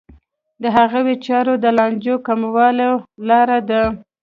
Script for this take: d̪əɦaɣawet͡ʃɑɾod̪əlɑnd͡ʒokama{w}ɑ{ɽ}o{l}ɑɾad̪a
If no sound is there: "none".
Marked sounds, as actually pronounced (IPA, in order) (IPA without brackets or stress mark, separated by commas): w, l, l